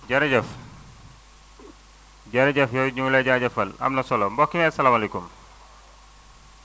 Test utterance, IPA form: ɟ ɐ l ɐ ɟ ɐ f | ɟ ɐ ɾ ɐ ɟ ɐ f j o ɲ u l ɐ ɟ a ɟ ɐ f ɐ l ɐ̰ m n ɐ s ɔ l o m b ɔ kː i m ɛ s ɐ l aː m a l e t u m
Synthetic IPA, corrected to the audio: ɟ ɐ ɾ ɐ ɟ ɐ f | ɟ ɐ ɾ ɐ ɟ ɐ f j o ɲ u l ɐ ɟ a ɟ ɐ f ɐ l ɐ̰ m n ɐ s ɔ l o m b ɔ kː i m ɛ s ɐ l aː m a l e k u m